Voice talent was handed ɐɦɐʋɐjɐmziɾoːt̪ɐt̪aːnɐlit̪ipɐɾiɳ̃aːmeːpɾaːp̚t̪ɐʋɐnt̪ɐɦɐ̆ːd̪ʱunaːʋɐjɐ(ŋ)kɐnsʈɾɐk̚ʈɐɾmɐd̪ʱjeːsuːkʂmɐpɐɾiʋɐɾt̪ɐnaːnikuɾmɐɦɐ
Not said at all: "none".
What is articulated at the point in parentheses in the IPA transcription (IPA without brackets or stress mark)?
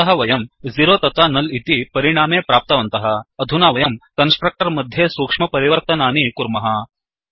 m